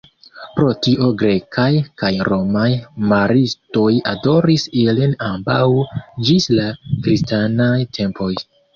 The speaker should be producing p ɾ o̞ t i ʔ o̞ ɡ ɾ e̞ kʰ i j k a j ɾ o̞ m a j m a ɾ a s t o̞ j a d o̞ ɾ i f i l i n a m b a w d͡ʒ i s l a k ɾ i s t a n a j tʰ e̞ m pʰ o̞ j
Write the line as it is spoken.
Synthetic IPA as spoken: p ɾ o̞ t i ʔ o̞ ɡ ɾ e̞ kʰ a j k a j ɾ o̞ m a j m a ɾ i s t o̞ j a d o̞ ɾ i s i l i n a m b a w d͡ʒ i s l a k ɾ i s t a n a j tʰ e̞ m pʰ o̞ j